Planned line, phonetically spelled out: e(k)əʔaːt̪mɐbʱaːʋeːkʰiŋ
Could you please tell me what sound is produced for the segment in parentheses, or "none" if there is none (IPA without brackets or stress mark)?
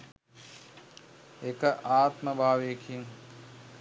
k